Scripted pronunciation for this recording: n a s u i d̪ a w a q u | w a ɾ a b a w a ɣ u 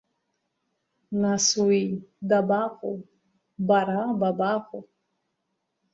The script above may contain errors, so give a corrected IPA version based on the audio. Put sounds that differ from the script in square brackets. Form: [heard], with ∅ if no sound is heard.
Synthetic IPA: n a s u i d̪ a [b] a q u | [b] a ɾ a b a [b] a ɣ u